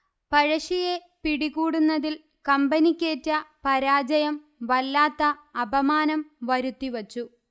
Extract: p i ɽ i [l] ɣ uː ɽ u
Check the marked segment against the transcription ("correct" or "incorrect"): incorrect